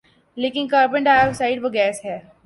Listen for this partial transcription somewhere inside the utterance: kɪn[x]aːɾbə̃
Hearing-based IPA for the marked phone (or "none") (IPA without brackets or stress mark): k